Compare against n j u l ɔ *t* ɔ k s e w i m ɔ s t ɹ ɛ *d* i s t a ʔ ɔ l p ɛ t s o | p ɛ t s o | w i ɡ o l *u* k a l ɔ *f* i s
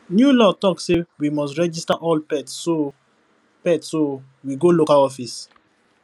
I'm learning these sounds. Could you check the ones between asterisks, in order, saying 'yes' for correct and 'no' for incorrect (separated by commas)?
yes, no, no, yes